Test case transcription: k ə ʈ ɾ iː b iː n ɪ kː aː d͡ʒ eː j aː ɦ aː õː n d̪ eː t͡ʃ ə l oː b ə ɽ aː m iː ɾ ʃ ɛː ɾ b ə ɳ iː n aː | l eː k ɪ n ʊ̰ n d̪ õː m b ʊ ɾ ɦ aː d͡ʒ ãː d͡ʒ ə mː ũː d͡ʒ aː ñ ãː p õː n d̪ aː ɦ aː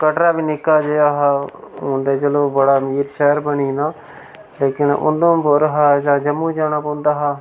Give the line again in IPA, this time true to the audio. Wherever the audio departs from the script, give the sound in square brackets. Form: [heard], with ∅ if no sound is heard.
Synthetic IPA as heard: k ə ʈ ɾ [aː] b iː n ɪ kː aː d͡ʒ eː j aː ɦ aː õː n d̪ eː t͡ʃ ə l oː b ə ɽ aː m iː ɾ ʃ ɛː ɾ b ə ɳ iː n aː | l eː k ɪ n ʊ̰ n d̪ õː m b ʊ ɾ ɦ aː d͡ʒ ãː d͡ʒ ə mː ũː d͡ʒ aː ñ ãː p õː n d̪ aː ɦ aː